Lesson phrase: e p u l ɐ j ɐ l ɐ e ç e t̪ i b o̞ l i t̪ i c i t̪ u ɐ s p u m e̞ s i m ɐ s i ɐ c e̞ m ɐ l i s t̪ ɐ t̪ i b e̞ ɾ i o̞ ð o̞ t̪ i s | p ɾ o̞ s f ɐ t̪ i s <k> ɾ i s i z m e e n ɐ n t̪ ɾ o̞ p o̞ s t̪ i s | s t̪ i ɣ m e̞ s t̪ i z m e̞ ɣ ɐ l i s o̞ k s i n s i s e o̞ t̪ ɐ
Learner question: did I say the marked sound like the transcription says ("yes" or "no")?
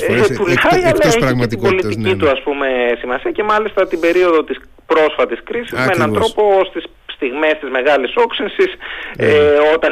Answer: yes